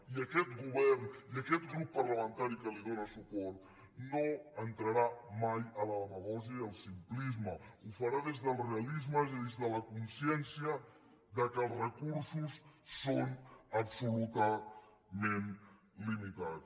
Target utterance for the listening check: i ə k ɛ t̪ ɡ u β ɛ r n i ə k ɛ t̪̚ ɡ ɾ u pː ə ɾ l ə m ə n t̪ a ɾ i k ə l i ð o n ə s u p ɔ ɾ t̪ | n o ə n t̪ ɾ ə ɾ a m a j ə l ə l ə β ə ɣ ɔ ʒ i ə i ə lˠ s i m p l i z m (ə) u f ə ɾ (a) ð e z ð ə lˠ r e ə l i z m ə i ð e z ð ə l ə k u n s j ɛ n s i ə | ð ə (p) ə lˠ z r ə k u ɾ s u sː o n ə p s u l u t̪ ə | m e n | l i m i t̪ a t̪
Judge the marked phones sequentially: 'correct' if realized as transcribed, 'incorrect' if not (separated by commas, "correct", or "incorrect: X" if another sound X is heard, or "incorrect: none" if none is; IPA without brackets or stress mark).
correct, correct, incorrect: k